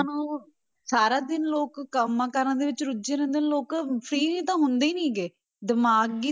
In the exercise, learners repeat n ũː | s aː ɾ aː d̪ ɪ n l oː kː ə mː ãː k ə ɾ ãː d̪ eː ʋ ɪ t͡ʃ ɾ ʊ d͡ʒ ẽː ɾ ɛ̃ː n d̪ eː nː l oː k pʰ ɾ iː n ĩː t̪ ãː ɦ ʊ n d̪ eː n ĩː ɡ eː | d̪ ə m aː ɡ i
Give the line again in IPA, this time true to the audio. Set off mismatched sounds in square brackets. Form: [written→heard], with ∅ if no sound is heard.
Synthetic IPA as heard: n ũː | s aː ɾ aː d̪ ɪ n l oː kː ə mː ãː k ə ɾ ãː d̪ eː ʋ ɪ t͡ʃ ɾ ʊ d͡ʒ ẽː ɾ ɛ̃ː n d̪ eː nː l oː k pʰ ɾ iː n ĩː t̪ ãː ɦ ʊ n d̪ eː n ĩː ɡ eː | d̪ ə m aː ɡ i

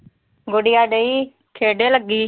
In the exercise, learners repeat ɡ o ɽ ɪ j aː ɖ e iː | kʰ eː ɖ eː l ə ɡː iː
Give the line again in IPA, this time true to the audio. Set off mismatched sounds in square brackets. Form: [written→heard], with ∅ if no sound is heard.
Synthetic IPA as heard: ɡ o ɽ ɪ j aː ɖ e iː | kʰ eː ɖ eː l ə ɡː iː

